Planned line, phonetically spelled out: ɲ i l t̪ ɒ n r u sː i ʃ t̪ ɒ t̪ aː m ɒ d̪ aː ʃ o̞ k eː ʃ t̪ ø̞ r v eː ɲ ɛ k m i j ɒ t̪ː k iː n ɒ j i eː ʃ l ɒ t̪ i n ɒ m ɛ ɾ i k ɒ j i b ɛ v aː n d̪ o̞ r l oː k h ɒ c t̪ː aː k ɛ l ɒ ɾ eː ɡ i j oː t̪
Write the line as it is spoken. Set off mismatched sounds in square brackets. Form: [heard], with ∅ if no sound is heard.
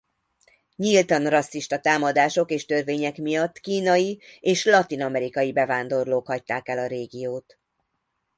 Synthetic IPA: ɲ i l t̪ ɒ n r [ɒ] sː i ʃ t̪ ɒ t̪ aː m ɒ d̪ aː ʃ o̞ k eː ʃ t̪ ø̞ r v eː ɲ ɛ k m i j ɒ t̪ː k iː n ɒ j i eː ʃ l ɒ t̪ i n ɒ m ɛ ɾ i k ɒ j i b ɛ v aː n d̪ o̞ r l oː k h ɒ c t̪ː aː k ɛ l ɒ ɾ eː ɡ i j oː t̪